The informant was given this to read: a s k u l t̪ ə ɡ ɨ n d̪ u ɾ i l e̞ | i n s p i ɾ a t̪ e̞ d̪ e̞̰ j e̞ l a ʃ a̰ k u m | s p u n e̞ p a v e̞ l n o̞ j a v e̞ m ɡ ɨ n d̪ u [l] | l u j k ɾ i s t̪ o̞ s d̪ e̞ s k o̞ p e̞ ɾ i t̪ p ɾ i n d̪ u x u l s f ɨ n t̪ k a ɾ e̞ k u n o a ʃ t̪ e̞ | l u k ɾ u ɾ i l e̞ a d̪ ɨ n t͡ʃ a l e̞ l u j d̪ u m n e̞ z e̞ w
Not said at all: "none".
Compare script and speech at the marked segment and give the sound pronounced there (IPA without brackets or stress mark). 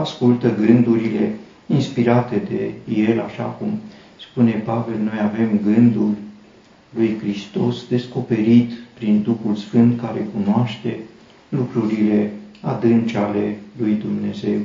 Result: l